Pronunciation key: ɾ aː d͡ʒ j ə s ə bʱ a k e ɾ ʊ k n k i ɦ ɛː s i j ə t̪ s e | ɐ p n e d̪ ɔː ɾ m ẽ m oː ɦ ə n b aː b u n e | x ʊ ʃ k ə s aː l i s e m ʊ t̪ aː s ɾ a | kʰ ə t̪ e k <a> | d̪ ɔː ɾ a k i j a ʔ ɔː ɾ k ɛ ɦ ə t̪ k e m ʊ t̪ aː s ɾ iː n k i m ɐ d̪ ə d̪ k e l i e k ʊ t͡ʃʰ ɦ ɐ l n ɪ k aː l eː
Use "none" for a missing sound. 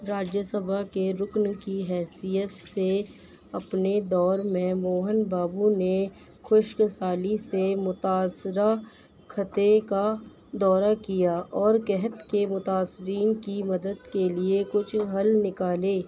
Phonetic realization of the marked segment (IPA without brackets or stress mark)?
a